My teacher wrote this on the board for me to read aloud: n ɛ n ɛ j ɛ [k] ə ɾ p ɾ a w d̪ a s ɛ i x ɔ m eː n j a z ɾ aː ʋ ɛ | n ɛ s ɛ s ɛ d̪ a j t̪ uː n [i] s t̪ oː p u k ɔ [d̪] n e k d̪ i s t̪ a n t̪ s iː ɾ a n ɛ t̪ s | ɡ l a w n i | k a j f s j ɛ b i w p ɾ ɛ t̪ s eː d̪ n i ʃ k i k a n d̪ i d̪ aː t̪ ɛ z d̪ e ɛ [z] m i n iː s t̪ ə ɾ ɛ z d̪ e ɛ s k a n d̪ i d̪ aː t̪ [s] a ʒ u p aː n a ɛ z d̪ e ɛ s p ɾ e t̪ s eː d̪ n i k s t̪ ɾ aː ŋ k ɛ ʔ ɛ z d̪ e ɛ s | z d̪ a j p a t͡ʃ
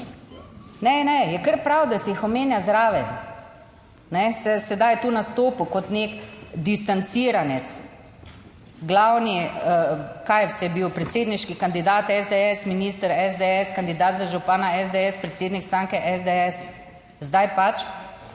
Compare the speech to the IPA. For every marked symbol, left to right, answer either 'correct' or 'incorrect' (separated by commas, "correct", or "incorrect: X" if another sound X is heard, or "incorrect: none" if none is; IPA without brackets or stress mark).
correct, incorrect: a, incorrect: t̪, incorrect: s, incorrect: z